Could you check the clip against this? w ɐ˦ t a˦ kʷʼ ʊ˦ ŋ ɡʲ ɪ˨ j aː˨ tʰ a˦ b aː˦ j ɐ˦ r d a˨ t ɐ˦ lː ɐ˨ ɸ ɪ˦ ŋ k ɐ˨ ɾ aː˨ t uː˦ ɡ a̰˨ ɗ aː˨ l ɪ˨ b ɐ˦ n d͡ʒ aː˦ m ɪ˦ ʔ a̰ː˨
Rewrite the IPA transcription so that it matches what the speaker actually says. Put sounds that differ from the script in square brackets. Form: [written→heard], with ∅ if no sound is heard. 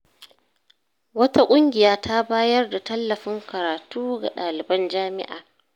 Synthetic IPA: w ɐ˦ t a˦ kʷʼ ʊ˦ ŋ ɡʲ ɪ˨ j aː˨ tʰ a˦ b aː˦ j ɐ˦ r d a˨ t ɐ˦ lː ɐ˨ ɸ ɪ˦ ŋ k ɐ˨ ɾ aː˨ t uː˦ ɡ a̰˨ ɗ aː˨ l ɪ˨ b ɐ˦ n d͡ʒ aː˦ m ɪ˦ ʔ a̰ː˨